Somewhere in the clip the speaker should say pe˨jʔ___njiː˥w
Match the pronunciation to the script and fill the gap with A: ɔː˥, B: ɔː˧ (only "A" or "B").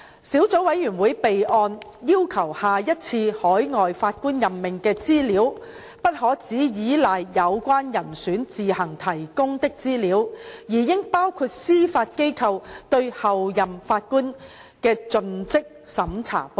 B